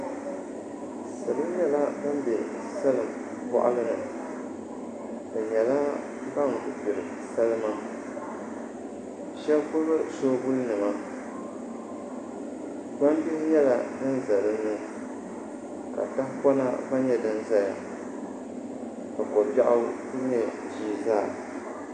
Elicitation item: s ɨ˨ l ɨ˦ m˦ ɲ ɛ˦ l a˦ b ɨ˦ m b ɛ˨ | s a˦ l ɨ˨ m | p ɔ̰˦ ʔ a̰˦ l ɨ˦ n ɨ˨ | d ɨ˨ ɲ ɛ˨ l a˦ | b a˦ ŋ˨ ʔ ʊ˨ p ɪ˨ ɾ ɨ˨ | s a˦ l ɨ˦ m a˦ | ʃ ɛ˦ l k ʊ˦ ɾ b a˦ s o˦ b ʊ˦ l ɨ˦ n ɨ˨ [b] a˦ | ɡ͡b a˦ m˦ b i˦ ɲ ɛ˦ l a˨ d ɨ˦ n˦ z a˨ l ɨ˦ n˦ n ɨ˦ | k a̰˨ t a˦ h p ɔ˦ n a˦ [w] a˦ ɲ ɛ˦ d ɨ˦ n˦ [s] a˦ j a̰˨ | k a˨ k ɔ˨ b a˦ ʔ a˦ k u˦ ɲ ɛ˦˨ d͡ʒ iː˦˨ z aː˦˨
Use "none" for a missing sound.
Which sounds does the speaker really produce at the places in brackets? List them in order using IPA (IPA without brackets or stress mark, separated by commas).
m, b, z